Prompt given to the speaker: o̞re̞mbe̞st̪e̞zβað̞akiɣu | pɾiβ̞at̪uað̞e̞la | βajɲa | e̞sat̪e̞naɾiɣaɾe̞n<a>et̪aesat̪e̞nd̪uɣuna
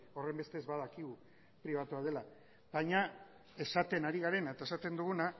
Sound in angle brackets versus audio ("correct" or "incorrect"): correct